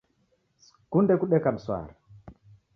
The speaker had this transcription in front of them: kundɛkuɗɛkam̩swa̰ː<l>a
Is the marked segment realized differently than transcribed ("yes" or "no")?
yes